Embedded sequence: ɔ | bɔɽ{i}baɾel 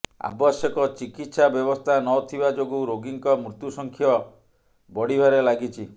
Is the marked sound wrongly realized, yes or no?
no